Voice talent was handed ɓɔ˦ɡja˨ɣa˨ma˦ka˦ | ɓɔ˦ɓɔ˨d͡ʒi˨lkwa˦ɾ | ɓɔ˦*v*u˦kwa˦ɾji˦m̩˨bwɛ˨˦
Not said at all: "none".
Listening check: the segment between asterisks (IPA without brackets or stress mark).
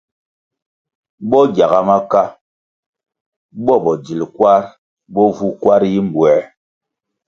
v